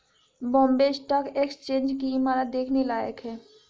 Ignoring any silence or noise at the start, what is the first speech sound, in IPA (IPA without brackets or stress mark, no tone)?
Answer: b